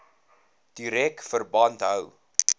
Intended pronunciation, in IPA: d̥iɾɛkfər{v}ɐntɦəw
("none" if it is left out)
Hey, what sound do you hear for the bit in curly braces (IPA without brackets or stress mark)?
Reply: b